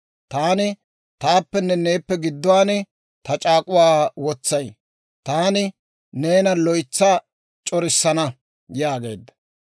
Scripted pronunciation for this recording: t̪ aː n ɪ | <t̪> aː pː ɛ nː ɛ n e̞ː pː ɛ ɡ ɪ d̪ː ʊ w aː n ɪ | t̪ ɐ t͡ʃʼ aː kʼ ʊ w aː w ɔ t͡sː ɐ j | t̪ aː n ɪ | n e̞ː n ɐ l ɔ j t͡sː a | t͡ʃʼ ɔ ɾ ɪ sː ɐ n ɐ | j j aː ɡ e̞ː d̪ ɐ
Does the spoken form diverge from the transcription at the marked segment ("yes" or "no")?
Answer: no